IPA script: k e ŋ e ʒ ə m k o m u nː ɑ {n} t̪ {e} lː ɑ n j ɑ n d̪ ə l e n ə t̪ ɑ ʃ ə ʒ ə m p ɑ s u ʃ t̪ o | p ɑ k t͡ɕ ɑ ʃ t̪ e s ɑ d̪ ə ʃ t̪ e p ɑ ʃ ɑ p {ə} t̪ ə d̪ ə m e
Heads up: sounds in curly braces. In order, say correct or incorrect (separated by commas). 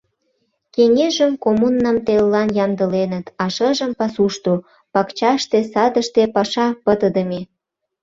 incorrect, correct, correct